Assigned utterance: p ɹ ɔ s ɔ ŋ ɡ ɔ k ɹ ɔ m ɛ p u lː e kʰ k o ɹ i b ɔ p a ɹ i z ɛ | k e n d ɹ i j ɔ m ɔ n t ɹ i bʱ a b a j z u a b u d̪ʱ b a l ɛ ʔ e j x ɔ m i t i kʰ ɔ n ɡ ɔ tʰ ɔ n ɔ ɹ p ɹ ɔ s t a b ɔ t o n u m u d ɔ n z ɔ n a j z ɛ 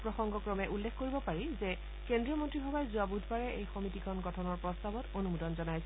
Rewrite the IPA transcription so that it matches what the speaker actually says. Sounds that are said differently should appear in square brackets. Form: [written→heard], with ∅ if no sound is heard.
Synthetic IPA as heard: p ɹ ɔ [s→x] ɔ ŋ ɡ ɔ k ɹ ɔ m ɛ [p→ʔ] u lː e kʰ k o ɹ i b ɔ p a ɹ i z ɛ | k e n d ɹ i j ɔ m ɔ n t ɹ i bʱ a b a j z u a b u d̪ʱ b a [l→ɹ] ɛ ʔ e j x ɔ m i t i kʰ ɔ n ɡ ɔ tʰ ɔ n ɔ ɹ p ɹ ɔ s t a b ɔ t o n u m u d ɔ n z ɔ n a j [z→s] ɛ

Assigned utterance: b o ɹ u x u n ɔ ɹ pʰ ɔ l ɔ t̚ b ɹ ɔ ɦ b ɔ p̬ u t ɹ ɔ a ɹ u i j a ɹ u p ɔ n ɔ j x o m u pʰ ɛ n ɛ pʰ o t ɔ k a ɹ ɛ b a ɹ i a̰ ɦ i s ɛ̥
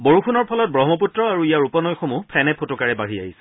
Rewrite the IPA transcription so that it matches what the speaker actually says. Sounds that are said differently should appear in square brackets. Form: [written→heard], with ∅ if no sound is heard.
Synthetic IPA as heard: b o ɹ u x u n ɔ ɹ pʰ ɔ l ɔ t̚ b ɹ ɔ ɦ [b→m] ɔ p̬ u t ɹ ɔ a ɹ u i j a ɹ u p ɔ n ɔ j x o m u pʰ ɛ n ɛ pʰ o t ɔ k a ɹ ɛ b a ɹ i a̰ ɦ i s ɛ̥

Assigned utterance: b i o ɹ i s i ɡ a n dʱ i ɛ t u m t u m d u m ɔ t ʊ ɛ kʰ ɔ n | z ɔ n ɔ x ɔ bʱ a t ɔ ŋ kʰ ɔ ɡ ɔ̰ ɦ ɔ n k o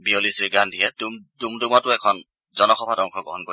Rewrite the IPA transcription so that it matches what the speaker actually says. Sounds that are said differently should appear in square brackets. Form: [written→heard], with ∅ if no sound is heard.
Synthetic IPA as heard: b i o [ɹ→l] i s i ɡ a n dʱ i ɛ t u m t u m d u m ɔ t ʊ ɛ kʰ ɔ n | z ɔ n ɔ x ɔ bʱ a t ɔ ŋ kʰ ɔ ɡ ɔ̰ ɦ ɔ n k o

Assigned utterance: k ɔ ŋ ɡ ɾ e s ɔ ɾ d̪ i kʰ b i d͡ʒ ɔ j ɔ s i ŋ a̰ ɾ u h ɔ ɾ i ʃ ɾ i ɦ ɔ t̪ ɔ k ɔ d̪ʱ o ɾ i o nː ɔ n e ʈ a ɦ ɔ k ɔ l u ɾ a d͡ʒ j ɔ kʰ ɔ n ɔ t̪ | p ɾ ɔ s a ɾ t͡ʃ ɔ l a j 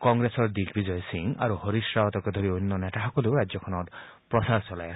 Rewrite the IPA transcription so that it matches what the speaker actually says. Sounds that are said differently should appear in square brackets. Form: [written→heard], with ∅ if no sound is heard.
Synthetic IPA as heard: k ɔ ŋ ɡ ɾ e s ɔ ɾ d̪ i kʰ b i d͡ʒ ɔ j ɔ s i ŋ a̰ ɾ u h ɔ ɾ i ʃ ɾ [i→a] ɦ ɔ t̪ ɔ k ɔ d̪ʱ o ɾ i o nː ɔ n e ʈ a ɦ ɔ k ɔ l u ɾ a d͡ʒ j ɔ kʰ ɔ n ɔ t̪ | p ɾ ɔ s a ɾ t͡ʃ ɔ l a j

